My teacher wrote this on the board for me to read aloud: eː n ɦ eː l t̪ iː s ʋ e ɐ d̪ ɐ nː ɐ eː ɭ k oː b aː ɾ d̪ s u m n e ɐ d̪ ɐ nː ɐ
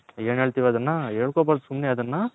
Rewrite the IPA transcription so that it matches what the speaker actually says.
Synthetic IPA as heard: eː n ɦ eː ɭ t̪ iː ʋ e ɐ d̪ ɐ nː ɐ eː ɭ k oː b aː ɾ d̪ s u m n e ɐ d̪ ɐ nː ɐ